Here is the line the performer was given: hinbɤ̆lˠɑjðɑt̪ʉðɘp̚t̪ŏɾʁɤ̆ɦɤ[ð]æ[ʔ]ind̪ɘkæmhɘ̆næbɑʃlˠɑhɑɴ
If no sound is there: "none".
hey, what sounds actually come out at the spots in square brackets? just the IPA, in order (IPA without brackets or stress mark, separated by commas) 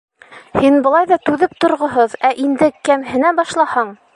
ð, ʔ